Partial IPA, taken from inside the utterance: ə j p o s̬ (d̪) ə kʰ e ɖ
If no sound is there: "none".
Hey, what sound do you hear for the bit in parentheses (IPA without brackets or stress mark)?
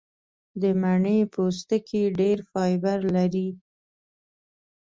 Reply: t̪